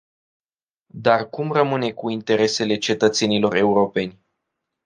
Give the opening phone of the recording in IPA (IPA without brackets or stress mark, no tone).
d̪